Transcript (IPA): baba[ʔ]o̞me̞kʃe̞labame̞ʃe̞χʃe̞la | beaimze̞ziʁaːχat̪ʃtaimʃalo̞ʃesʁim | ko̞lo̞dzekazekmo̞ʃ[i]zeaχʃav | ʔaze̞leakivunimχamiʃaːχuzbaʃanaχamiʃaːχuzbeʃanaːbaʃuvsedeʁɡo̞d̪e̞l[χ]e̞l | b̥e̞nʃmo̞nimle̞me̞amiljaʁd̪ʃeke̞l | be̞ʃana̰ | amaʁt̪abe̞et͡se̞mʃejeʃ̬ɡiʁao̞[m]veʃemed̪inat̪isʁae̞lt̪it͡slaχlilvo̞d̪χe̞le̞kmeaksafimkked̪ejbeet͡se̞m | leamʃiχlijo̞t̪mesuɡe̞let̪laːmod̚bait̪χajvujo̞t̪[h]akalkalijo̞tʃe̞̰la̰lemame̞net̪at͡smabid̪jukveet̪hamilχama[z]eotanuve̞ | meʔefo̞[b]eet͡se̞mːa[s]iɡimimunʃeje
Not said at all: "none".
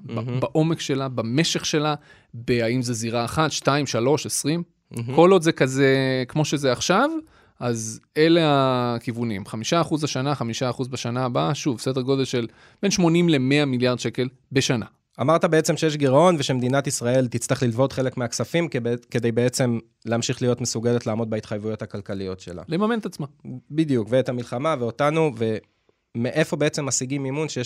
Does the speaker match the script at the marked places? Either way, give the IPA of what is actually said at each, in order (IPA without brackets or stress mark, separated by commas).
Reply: ʔ, e, ʃ, n, h, v, b, s